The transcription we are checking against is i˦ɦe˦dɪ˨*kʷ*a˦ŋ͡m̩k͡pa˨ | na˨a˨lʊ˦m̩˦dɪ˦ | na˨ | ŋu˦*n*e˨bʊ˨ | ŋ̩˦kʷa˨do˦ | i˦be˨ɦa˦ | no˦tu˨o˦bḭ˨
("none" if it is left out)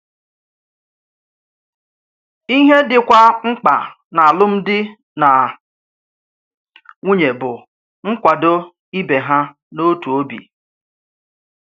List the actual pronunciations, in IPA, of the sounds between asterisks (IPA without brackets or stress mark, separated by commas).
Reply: kʷ, ɲ